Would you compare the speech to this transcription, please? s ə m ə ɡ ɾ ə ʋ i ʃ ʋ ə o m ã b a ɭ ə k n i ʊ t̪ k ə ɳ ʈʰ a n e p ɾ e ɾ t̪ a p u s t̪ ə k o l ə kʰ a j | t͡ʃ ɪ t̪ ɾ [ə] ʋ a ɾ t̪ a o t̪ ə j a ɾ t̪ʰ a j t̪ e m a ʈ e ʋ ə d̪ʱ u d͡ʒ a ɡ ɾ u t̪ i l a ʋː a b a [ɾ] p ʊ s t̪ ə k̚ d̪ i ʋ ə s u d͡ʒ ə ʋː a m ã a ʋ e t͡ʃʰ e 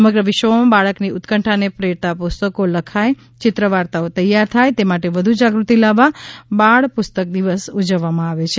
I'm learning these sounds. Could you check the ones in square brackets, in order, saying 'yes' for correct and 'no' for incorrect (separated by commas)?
yes, no